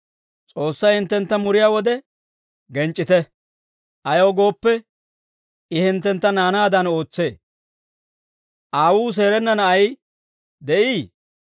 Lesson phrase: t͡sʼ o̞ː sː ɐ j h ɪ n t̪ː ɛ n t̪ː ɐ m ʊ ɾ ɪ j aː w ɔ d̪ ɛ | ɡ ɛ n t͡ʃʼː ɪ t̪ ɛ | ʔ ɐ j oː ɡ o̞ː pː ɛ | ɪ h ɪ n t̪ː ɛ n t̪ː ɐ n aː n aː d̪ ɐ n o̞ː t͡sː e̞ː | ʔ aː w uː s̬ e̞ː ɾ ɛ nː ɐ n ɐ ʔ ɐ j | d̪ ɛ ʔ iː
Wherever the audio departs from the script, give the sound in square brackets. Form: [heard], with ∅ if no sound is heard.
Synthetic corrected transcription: t͡sʼ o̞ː sː ɐ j h ɪ n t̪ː ɛ n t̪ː ɐ m ʊ ɾ ɪ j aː w ɔ d̪ ɛ | ɡ ɛ n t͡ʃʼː ɪ t̪ ɛ | ʔ ɐ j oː ɡ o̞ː pː ɛ | ɪ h ɪ n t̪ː ɛ n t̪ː ɐ n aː n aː d̪ ɐ n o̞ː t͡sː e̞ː | ʔ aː w uː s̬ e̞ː ɾ ɛ nː ɐ n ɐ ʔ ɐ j | d̪ ɛ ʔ iː